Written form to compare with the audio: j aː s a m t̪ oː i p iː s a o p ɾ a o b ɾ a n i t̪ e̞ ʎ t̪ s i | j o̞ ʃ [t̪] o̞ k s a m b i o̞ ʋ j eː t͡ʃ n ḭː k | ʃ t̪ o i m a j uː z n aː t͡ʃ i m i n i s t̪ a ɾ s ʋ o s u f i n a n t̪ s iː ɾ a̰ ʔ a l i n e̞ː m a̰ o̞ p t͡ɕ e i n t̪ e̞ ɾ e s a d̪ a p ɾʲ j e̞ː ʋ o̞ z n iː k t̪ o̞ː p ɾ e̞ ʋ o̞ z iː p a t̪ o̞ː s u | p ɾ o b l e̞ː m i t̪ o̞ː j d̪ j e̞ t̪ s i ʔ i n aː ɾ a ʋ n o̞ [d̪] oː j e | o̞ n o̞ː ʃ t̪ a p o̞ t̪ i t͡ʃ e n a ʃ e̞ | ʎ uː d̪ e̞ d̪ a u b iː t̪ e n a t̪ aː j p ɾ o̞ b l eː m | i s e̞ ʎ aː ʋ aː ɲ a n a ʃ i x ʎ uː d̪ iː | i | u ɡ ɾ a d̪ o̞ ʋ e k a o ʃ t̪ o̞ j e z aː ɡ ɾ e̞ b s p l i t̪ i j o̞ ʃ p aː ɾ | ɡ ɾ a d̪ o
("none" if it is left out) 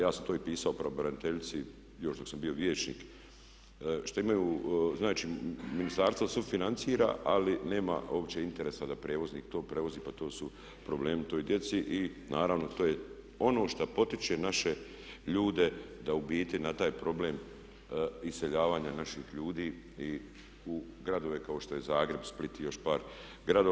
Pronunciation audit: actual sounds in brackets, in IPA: d̪, t̪

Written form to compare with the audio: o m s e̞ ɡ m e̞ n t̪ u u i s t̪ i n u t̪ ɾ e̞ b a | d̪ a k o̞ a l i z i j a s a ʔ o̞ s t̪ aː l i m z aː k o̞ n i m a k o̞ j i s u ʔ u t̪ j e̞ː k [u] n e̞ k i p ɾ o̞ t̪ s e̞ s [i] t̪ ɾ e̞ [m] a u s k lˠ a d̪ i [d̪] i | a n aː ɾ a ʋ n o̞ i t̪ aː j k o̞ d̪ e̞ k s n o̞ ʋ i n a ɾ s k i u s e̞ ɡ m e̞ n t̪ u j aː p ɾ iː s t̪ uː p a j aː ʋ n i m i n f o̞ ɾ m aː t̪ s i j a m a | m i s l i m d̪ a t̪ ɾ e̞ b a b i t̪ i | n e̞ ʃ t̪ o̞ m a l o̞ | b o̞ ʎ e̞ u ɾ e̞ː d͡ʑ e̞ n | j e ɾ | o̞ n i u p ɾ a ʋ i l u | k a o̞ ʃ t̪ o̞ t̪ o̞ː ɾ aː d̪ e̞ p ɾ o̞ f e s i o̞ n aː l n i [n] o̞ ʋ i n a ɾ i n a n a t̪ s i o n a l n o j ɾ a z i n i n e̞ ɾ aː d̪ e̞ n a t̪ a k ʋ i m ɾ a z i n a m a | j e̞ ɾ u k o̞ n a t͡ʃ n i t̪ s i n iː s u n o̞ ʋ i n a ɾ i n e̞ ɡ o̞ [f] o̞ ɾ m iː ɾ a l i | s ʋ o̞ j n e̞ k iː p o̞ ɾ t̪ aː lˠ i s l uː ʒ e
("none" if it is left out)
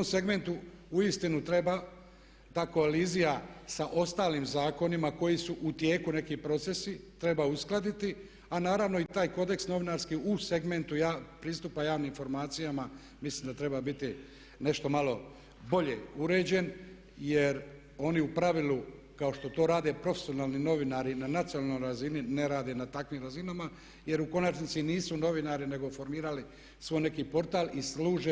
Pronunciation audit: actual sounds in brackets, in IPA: u, i, b, t̪, n, f

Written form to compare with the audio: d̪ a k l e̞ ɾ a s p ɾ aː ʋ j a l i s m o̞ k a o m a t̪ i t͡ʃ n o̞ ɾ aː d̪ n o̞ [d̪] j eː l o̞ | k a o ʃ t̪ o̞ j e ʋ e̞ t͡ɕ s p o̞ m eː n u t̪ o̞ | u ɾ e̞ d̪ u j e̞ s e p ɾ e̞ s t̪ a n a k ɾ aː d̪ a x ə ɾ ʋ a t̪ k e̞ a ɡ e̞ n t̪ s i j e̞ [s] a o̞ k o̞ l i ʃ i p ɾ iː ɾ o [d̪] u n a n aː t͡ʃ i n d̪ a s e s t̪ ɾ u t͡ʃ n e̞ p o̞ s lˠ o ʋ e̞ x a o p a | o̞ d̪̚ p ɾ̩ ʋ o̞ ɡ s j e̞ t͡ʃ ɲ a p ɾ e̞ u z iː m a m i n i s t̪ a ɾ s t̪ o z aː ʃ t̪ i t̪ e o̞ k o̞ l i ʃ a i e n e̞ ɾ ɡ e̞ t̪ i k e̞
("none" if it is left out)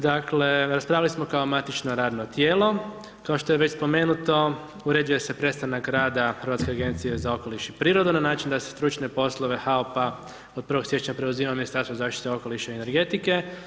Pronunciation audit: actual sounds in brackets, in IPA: t̪, z, d̪

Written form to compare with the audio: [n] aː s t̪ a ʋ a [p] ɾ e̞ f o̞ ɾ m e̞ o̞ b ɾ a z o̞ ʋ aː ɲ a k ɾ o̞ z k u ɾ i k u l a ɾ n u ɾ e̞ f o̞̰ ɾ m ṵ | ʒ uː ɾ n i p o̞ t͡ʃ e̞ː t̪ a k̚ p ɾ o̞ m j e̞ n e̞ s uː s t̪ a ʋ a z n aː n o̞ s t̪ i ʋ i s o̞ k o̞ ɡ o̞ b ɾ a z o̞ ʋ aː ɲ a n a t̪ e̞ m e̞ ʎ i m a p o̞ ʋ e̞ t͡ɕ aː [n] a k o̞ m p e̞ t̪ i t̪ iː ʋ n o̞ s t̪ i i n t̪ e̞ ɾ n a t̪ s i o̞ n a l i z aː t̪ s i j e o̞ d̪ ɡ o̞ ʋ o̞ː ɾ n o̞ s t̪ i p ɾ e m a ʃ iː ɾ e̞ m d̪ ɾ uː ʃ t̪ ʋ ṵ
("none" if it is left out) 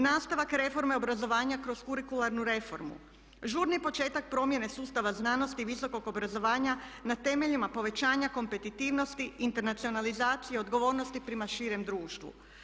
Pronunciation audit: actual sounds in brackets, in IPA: n, k, ɲ

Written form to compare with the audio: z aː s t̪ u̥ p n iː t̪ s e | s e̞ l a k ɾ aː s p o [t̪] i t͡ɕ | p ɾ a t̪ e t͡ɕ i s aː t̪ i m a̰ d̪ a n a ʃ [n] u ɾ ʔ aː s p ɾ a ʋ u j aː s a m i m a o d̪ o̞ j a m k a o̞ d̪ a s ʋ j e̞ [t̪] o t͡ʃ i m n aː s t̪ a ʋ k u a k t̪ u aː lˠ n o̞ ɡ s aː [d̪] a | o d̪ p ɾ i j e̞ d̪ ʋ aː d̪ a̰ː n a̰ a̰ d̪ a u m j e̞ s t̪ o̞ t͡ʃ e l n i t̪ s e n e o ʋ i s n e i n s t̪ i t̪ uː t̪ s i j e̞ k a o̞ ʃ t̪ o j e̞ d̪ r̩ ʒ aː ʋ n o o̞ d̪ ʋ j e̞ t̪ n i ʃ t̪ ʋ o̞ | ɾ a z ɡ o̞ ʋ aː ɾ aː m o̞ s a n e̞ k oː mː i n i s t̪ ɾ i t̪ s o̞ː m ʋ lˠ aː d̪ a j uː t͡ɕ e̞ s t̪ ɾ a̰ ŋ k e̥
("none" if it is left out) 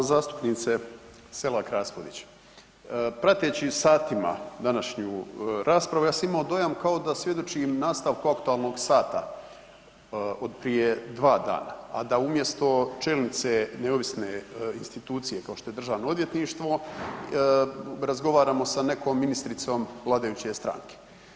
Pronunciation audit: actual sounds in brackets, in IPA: d̪, ɲ, d̪, t̪

